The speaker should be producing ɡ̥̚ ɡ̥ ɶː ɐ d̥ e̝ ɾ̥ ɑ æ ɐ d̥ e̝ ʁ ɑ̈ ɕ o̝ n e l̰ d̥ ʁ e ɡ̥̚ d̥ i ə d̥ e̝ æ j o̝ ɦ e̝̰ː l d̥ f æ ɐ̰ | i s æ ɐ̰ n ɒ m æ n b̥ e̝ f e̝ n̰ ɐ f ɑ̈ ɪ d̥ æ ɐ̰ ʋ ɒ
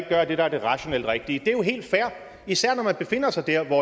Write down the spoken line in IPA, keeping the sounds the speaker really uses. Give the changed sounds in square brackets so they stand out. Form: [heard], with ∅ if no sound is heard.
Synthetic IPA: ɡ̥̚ ɡ̥ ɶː ɐ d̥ e̝ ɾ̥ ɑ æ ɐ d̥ e̝ ʁ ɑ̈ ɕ o̝ n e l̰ d̥ ʁ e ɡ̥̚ d̥ i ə d̥ e̝ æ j o̝ ɦ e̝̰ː l d̥ f æ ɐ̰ | i s æ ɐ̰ n ɒ m æ n b̥ e̝ f e̝ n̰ ɐ [s] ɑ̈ ɪ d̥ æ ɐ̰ ʋ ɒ